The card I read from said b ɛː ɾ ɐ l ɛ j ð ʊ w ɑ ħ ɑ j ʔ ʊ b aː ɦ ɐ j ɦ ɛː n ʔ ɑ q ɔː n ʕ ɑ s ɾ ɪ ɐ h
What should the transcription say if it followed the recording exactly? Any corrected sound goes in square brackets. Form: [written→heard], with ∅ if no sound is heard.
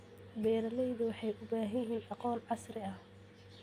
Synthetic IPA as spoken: b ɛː ɾ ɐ l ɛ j ð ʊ w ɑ ħ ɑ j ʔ ʊ b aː ɦ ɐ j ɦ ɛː n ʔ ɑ q ɔː n ʕ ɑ s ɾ ɪ ɐ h